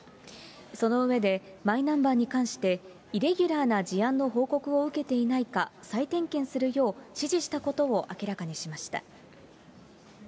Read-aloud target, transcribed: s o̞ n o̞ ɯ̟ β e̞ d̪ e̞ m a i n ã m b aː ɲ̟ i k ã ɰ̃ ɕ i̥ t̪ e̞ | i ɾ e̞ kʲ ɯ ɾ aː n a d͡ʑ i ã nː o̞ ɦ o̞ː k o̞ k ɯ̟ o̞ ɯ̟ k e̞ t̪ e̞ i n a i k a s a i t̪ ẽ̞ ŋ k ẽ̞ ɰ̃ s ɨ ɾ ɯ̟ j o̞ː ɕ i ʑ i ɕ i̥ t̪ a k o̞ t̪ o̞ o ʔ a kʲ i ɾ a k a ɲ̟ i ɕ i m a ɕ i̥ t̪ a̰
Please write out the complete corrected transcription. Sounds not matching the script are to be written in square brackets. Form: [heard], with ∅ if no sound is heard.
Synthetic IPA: s o̞ n o̞ ɯ̟ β e̞ d̪ e̞ m a i n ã m b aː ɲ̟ i k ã ɰ̃ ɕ i̥ t̪ e̞ | i ɾ e̞ [ɡʲ] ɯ ɾ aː n a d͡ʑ i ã nː o̞ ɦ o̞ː k o̞ k ɯ̟ o̞ ɯ̟ k e̞ t̪ e̞ i n a i k a s a i t̪ ẽ̞ ŋ k ẽ̞ ɰ̃ s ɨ ɾ ɯ̟ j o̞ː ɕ i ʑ i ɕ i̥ t̪ a k o̞ t̪ o̞ o ʔ a kʲ i ɾ a k a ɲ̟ i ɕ i m a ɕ i̥ t̪ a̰